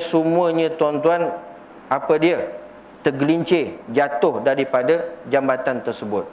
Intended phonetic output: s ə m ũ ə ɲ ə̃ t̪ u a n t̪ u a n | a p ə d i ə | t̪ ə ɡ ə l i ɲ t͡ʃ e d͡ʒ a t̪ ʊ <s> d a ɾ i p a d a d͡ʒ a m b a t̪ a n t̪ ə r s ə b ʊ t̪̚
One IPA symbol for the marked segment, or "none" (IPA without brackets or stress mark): h